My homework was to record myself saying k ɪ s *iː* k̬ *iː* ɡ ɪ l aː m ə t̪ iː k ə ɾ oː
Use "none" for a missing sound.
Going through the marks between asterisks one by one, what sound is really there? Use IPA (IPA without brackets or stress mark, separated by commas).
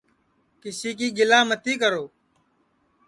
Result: iː, iː